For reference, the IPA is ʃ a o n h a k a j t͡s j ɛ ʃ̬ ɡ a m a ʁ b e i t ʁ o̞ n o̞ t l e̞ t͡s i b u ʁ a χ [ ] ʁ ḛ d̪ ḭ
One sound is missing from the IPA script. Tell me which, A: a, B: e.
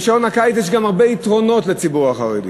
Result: A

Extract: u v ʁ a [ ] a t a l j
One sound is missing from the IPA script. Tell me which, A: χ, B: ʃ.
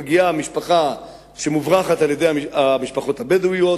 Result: A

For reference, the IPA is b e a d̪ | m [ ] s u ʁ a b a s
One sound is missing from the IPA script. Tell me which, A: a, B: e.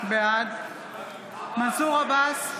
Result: A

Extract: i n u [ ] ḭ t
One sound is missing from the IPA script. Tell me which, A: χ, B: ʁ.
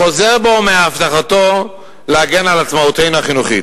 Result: A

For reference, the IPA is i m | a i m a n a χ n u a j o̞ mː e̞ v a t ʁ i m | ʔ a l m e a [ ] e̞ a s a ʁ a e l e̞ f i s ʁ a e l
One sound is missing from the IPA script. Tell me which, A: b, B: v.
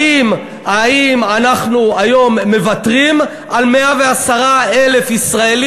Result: B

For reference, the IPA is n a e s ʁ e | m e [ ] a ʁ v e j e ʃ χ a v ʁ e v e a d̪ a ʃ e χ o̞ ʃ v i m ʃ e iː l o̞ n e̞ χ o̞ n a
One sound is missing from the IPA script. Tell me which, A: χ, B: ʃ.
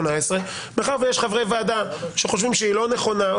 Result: A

